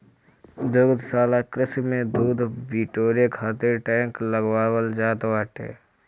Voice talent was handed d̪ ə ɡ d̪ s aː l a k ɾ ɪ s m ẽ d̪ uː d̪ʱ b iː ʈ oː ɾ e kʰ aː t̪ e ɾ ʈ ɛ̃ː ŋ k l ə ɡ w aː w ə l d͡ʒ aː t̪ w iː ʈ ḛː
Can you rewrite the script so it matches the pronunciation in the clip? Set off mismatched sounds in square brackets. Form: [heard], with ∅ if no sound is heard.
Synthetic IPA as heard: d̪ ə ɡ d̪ s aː l a k ɾ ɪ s m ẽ d̪ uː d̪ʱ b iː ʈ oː ɾ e kʰ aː t̪ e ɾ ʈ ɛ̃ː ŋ k l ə ɡ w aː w ə l d͡ʒ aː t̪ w [aː] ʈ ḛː